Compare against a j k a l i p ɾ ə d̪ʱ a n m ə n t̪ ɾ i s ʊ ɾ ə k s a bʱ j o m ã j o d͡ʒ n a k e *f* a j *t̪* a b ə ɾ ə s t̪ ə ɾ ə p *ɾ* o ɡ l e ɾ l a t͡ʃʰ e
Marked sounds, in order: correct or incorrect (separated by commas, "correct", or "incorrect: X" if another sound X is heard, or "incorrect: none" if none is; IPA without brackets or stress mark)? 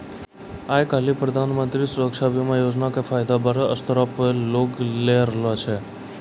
correct, incorrect: d̪, incorrect: l